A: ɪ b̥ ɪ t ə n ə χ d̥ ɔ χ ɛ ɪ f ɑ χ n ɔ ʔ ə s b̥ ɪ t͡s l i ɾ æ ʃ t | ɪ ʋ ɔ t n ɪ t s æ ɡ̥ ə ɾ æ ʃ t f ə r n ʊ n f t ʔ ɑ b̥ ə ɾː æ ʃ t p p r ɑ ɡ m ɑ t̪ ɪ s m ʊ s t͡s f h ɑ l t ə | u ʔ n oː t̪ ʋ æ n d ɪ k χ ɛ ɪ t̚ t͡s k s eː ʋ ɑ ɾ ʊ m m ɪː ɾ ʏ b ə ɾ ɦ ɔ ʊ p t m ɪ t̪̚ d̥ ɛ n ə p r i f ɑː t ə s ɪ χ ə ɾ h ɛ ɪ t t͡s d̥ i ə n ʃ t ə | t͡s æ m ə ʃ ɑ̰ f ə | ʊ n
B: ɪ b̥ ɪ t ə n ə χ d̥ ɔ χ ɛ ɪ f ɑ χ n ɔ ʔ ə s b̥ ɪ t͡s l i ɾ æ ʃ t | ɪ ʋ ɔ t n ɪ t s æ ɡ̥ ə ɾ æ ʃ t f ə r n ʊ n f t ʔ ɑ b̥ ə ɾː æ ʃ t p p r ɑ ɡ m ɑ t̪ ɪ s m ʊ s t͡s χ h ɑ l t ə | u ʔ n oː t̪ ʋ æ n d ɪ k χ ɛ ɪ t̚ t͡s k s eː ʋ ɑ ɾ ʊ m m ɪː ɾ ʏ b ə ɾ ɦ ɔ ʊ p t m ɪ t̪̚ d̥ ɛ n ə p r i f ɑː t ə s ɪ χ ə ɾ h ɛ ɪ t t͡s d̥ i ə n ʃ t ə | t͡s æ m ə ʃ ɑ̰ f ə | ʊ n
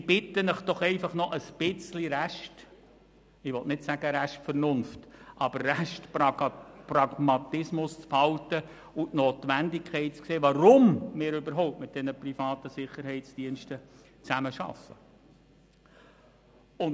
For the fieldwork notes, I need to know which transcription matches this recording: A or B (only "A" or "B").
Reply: A